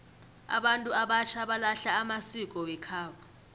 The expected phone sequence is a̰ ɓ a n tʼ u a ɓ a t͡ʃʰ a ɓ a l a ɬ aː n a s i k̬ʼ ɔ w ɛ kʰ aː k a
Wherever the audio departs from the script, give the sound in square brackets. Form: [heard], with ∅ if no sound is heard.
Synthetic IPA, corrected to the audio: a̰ ɓ a n tʼ u a ɓ a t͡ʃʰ a ɓ a l a ɬ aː [m] a s i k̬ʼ ɔ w ɛ kʰ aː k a